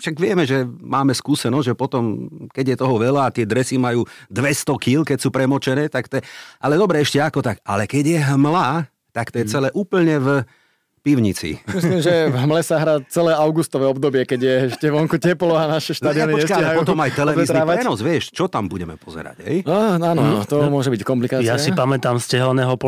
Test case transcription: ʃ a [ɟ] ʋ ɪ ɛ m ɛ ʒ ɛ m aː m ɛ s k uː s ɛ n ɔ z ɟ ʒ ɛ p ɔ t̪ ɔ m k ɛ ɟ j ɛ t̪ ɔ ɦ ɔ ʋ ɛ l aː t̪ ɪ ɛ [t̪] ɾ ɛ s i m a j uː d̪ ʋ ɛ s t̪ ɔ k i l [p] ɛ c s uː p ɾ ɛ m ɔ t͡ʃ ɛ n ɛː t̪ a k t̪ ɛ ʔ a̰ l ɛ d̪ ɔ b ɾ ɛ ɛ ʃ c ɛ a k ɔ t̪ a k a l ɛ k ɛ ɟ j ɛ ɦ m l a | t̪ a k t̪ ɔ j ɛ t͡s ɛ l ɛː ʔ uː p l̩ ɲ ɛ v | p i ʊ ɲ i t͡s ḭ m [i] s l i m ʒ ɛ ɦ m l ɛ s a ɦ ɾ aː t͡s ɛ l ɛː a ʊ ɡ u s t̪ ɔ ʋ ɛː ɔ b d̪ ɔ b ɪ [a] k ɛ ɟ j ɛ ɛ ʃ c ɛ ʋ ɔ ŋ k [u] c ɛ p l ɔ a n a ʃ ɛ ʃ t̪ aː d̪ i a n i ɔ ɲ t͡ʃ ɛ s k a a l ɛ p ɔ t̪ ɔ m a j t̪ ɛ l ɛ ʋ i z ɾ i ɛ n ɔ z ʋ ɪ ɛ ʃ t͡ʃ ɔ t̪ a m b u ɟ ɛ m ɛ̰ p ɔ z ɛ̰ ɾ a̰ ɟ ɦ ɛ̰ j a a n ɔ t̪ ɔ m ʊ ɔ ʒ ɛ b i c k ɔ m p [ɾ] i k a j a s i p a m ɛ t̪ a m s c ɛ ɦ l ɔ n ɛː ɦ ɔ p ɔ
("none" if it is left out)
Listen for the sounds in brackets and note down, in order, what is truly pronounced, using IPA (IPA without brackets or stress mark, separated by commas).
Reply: ɡ, d̪, k, i, ɛ, u, l